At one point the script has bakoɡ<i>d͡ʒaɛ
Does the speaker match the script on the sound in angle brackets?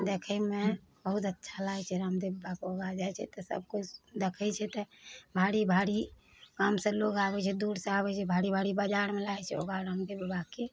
no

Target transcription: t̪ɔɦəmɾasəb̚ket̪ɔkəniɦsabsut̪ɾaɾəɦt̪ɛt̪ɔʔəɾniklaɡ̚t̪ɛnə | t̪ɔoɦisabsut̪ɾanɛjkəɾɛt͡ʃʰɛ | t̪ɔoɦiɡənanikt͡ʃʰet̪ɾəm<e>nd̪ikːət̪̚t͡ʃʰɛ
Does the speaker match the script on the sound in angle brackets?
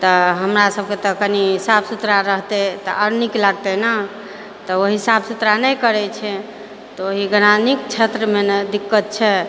yes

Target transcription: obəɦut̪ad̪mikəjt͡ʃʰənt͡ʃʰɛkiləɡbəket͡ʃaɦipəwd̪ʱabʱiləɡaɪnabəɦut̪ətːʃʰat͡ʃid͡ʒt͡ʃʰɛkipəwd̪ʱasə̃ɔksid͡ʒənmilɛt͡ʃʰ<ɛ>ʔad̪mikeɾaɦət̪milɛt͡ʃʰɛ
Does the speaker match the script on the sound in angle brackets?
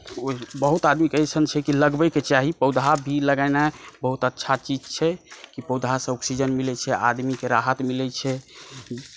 yes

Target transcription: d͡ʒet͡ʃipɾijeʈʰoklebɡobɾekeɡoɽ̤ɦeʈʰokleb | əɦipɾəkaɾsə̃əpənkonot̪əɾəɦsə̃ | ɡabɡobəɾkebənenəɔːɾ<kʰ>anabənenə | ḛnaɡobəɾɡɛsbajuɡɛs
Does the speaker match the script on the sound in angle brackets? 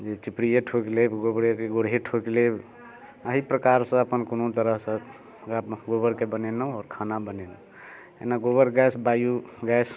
yes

